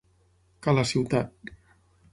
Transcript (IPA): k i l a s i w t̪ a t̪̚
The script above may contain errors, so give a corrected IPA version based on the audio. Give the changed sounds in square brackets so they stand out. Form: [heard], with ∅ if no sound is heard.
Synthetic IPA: k [a] l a s i w t̪ a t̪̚